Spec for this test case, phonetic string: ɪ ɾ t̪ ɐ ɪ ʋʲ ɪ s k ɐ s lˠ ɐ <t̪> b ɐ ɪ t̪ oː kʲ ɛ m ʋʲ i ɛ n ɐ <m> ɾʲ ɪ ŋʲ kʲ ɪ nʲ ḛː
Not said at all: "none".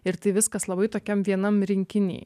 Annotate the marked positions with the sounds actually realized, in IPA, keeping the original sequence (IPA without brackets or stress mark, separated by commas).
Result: none, m